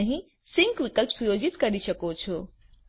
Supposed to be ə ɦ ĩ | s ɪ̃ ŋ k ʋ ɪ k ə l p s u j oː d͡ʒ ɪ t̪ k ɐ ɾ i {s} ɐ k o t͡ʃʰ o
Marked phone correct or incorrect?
incorrect